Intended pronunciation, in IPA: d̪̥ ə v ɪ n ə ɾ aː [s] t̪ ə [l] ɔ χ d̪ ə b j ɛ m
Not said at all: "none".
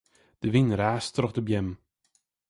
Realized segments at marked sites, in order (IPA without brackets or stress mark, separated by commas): s, ɾ